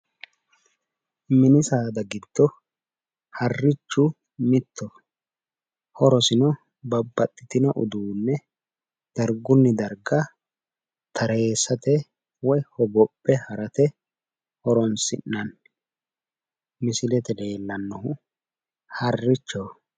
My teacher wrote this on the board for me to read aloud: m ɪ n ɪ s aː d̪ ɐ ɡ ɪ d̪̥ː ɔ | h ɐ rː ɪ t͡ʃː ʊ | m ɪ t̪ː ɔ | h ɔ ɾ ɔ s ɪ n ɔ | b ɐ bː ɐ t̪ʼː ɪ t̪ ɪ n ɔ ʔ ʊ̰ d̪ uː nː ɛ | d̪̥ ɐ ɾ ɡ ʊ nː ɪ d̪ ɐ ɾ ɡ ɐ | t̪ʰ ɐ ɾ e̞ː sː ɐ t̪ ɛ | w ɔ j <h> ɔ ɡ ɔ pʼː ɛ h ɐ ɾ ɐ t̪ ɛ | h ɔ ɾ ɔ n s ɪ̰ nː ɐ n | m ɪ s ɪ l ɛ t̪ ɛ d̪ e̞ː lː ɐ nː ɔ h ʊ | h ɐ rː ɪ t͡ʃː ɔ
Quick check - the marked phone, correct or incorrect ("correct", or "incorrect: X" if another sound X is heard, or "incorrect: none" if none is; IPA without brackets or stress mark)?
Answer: correct